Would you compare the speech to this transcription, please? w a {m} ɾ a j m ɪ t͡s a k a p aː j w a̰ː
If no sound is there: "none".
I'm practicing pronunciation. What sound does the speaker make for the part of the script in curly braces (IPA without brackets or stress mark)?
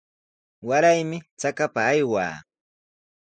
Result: none